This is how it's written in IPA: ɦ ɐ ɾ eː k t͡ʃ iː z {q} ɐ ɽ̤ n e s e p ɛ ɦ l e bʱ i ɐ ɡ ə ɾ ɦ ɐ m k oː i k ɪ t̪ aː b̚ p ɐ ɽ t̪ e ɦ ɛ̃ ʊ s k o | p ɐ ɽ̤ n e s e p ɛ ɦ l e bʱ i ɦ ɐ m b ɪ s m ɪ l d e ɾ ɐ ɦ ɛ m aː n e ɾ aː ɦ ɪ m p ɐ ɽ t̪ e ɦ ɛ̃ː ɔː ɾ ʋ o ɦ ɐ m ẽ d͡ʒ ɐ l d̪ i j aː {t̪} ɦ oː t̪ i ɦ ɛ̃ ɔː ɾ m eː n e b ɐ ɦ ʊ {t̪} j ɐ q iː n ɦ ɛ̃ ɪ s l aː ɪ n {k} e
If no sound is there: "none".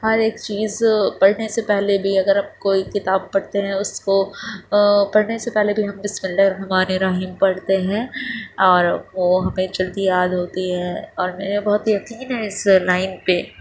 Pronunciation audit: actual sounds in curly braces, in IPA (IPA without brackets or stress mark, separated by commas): p, d̪, t̪, p